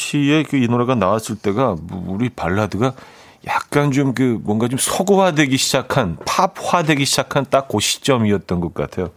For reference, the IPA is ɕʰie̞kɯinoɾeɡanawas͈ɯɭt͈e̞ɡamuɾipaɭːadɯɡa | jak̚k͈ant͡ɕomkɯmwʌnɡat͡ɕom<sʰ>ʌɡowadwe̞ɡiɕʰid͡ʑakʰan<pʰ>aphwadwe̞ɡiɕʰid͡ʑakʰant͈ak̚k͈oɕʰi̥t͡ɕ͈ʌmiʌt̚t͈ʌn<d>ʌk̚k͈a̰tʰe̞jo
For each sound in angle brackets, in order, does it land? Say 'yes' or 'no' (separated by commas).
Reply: yes, yes, no